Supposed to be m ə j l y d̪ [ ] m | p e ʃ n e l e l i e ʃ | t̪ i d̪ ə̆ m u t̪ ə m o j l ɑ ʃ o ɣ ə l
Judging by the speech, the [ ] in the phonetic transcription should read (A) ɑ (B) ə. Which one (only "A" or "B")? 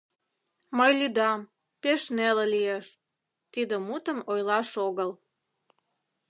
A